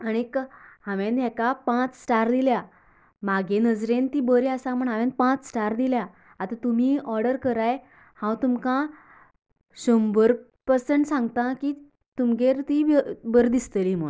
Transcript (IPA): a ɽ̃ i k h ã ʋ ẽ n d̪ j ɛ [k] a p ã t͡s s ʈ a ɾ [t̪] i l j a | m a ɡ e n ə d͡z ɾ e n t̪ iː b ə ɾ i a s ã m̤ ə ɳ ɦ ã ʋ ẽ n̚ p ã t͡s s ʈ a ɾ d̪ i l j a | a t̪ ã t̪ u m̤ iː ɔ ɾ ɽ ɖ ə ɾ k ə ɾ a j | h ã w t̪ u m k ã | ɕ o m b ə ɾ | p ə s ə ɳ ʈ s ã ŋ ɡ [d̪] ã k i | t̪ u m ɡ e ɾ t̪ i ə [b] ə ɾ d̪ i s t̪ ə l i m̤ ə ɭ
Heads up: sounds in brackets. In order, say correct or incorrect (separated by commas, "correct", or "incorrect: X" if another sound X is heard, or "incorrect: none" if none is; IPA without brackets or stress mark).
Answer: correct, incorrect: d̪, incorrect: t̪, correct